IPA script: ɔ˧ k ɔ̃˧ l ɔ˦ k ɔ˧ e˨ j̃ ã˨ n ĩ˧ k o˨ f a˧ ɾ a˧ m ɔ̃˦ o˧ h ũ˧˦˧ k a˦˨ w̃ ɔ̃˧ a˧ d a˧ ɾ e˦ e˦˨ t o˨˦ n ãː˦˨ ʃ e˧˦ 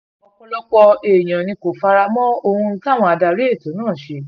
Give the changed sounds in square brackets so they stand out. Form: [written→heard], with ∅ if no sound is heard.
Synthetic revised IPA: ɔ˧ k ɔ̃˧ l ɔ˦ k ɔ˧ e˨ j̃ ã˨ n ĩ˧ k o˨ f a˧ ɾ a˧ m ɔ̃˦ o˧ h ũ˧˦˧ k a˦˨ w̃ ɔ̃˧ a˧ d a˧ ɾ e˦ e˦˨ t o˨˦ n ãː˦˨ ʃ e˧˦